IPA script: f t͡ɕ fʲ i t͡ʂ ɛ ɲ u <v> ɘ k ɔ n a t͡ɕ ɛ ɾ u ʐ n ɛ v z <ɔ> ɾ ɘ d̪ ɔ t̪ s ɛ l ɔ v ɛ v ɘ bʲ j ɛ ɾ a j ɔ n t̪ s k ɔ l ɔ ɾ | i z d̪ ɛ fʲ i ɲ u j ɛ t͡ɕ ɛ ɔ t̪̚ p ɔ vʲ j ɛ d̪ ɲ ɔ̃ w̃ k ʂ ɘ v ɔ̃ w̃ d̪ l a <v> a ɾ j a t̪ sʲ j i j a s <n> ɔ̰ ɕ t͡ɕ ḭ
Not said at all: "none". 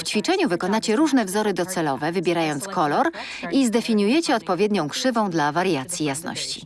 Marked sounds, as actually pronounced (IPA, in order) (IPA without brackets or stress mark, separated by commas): v, ɔ, v, n